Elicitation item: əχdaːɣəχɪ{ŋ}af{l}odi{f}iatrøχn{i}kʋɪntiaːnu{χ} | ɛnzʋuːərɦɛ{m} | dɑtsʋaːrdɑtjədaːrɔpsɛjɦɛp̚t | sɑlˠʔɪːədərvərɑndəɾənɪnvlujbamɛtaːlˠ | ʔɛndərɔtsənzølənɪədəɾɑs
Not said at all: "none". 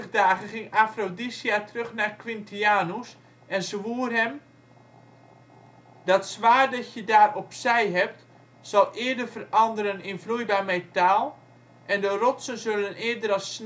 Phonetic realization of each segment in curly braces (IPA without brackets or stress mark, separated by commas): ŋ, r, s, a, s, m